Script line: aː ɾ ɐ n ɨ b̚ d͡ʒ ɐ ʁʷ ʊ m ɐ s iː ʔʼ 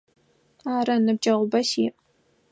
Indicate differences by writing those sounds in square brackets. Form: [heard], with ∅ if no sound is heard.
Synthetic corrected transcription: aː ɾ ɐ n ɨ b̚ d͡ʒ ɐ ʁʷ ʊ [b] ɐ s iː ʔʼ